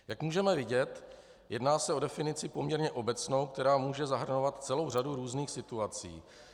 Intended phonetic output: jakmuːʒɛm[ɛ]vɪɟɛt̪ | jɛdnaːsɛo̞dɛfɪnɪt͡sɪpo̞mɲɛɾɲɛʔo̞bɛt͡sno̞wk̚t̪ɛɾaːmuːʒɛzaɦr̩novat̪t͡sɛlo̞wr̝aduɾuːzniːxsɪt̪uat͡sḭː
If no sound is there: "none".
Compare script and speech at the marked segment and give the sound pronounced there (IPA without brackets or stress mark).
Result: ɛ